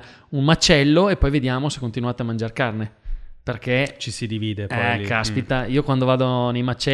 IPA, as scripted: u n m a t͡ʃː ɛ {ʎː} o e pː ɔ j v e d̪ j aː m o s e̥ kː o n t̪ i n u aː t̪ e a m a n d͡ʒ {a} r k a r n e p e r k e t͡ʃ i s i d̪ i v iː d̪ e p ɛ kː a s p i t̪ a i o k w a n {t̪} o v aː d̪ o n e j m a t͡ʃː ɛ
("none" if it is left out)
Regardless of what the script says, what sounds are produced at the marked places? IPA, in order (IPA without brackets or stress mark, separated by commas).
lː, a, d̪